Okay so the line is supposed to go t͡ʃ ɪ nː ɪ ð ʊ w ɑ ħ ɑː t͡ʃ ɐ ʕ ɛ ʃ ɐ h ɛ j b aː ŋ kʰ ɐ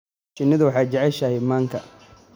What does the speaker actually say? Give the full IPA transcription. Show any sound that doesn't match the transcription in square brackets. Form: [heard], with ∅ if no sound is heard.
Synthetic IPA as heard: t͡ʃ ɪ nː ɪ ð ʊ w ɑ ħ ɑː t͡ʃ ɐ ʕ ɛ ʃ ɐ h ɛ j [m] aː ŋ kʰ ɐ